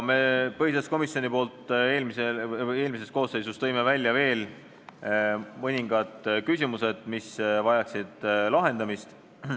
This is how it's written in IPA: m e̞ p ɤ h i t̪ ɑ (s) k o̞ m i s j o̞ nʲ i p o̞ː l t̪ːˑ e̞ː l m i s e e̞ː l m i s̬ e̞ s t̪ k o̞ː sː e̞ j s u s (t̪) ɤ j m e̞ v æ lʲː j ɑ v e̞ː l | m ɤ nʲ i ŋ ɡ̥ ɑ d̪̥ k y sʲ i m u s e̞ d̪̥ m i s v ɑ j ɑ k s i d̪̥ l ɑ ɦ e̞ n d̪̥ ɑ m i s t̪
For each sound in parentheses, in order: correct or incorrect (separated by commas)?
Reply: correct, correct